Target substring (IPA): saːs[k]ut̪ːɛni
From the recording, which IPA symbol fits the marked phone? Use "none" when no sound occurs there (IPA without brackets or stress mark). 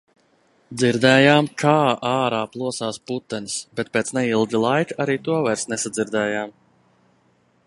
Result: p